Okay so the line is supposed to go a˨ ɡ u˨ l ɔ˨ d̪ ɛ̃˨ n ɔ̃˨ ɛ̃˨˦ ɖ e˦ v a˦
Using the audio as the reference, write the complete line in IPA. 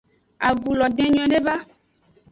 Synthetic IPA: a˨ ɡ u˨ l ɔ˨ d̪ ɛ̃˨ ɲ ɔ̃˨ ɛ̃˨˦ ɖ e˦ v a˦